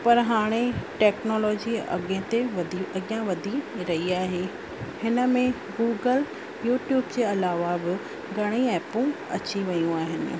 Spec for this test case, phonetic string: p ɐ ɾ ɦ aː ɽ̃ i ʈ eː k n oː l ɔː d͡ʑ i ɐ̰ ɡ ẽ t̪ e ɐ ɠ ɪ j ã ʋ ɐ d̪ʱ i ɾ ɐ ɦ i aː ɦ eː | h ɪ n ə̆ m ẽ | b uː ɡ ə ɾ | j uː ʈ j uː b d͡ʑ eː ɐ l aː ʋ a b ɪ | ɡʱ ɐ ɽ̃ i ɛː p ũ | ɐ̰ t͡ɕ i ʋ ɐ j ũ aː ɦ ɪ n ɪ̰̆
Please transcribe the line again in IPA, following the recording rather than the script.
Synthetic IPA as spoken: p ɐ ɾ ɦ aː ɽ̃ e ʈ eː k n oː l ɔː d͡ʑ i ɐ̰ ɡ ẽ t̪ e ɐ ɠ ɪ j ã ʋ ɐ d̪ʱ i ɾ ɐ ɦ i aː ɦ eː | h ɪ n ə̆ m ẽ | ɡ uː ɡ ə l | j uː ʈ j uː b d͡ʑ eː ɐ l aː ʋ a b ɪ | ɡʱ ɐ ɽ̃ i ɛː p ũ | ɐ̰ t͡ɕ i ʋ ɐ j ũ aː ɦ ɪ n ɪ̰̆